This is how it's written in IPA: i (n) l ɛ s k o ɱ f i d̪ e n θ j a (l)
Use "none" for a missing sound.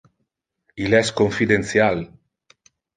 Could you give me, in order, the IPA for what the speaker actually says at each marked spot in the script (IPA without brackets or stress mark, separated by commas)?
none, l